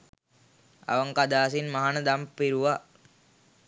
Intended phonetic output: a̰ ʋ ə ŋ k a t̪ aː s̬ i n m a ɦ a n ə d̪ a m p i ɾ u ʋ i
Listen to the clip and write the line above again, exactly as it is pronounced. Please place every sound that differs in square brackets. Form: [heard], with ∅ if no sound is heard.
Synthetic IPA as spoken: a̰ ʋ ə ŋ k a [d̪] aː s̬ i n m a ɦ a n ə d̪ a m p i ɾ u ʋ [a]